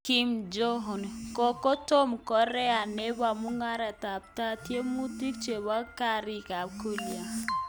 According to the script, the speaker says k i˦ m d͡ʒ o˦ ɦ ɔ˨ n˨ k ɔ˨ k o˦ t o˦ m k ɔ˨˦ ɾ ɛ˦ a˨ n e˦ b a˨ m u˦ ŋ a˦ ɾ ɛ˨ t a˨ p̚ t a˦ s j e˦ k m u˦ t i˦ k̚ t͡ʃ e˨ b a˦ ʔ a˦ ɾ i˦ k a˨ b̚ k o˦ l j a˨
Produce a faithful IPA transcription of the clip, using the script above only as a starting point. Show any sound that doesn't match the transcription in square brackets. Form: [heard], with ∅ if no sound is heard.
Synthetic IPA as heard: k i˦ m d͡ʒ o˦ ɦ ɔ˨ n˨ k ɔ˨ k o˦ t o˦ m k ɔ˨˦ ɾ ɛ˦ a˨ n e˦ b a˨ m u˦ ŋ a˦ ɾ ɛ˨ t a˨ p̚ t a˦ [t] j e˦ [∅] m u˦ t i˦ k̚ t͡ʃ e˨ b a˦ [k] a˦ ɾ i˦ k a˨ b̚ k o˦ l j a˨